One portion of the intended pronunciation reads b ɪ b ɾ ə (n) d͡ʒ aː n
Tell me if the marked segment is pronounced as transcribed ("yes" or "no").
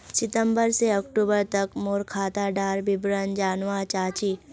yes